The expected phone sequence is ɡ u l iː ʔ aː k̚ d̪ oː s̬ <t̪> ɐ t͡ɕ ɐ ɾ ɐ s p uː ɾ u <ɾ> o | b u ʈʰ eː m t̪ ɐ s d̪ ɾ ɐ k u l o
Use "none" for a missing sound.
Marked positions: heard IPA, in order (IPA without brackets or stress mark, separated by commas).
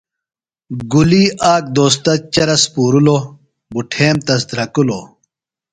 t̪, l